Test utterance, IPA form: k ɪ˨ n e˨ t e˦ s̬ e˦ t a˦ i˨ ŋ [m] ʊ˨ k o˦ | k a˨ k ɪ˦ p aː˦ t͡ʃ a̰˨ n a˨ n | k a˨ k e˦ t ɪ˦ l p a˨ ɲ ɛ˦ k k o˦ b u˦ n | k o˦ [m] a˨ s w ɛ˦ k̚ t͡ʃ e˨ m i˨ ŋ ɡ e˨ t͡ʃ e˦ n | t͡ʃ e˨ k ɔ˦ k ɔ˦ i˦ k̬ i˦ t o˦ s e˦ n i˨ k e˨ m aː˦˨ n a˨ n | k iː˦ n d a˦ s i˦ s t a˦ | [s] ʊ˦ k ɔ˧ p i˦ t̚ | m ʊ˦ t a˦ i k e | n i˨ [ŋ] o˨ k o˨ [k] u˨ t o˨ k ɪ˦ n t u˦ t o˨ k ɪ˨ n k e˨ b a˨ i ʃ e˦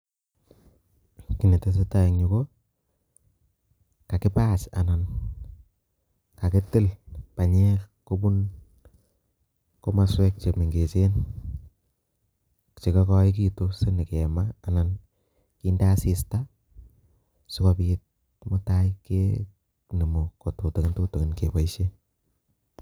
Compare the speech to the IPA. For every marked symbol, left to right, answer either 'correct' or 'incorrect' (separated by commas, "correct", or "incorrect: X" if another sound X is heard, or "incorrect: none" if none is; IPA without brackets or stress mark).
incorrect: ɲ, correct, correct, incorrect: m, incorrect: t